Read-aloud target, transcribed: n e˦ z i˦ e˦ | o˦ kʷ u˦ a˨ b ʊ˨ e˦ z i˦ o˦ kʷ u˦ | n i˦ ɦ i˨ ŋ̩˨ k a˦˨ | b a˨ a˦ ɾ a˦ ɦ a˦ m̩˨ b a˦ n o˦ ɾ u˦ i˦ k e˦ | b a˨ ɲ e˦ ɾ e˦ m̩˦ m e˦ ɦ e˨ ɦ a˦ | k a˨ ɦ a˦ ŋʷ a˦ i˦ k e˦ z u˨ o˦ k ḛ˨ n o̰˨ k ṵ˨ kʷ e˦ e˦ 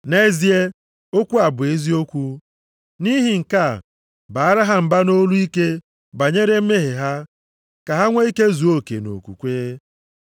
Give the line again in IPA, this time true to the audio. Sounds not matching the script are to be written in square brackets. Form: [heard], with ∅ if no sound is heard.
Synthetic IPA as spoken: n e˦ z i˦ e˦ | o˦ kʷ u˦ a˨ b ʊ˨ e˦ z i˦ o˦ kʷ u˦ | n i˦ ɦ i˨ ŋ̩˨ k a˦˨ | b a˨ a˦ ɾ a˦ ɦ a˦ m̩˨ b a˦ n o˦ [l] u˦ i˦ k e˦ | b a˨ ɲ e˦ ɾ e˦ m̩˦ m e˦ ɦ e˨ ɦ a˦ | k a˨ ɦ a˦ ŋʷ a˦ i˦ k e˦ z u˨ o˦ k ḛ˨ n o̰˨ k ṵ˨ kʷ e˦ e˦